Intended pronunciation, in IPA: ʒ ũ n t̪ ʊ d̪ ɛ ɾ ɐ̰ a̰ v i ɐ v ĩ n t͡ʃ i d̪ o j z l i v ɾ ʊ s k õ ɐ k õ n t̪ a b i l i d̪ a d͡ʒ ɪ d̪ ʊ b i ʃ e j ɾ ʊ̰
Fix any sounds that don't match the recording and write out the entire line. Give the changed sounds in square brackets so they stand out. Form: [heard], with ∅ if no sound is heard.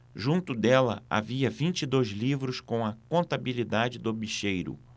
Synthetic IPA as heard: ʒ ũ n t̪ ʊ d̪ ɛ [l] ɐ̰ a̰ v i ɐ v ĩ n t͡ʃ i d̪ o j z l i v ɾ ʊ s k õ ɐ k õ n t̪ a b i l i d̪ a d͡ʒ ɪ d̪ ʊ b i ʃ e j ɾ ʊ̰

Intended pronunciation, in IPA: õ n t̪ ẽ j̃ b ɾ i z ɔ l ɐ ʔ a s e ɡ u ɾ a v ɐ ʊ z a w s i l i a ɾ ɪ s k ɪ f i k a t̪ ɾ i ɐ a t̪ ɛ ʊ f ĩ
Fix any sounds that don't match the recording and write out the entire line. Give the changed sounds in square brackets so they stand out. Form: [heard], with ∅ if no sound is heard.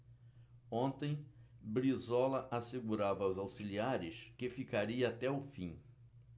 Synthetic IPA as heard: õ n t̪ ẽ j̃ b ɾ i z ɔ l ɐ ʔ a s e ɡ u ɾ a v ɐ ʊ z a w s i l i a ɾ ɪ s k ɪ f i k a [∅] ɾ i ɐ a t̪ ɛ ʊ f ĩ

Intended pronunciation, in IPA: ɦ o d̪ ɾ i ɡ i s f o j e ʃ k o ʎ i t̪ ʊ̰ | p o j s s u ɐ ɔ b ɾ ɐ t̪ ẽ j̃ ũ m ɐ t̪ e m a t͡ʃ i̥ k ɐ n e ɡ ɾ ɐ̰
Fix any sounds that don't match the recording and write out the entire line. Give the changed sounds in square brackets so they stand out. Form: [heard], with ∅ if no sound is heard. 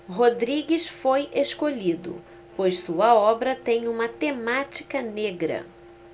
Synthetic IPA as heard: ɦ o d̪ ɾ i ɡ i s f o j e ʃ k o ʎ i [d̪] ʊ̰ | p o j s s u ɐ ɔ b ɾ ɐ t̪ ẽ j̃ ũ m ɐ t̪ e m a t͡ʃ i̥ k ɐ n e ɡ ɾ ɐ̰

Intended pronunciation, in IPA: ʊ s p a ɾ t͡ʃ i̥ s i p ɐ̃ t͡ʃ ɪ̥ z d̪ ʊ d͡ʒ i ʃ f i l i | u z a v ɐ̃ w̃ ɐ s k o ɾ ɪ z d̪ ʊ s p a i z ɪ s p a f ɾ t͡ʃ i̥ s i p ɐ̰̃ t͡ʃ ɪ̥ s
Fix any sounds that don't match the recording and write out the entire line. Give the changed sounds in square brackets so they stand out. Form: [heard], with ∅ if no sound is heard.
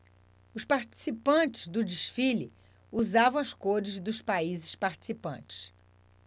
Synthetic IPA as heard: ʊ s p a ɾ t͡ʃ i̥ s i p ɐ̃ t͡ʃ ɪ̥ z d̪ ʊ d͡ʒ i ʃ f i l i | u z a v ɐ̃ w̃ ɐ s k o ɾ ɪ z d̪ ʊ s p a i z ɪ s p a [∅] ɾ t͡ʃ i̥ s i p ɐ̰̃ t͡ʃ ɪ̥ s

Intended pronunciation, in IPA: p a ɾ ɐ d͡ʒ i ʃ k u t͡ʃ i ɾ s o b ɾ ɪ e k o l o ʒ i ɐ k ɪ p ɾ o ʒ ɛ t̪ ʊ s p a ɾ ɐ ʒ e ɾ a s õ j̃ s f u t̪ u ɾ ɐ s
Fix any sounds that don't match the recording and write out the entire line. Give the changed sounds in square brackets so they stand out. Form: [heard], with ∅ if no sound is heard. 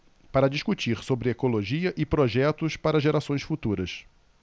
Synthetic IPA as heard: p a ɾ ɐ d͡ʒ i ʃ k u t͡ʃ i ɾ s o b ɾ ɪ e k o l o ʒ i ɐ [ʔ] ɪ p ɾ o ʒ ɛ t̪ ʊ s p a ɾ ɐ ʒ e ɾ a s õ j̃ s f u t̪ u ɾ ɐ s

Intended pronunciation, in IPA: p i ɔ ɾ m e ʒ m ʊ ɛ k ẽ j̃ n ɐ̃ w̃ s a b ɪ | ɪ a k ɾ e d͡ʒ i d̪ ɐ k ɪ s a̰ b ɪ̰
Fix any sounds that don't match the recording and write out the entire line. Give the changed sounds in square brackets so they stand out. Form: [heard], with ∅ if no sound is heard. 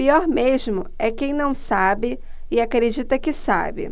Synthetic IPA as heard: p i ɔ ɾ m e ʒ m ʊ ɛ k ẽ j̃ n ɐ̃ w̃ s a b ɪ | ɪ a k ɾ e d͡ʒ i [t̪] ɐ k ɪ s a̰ b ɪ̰

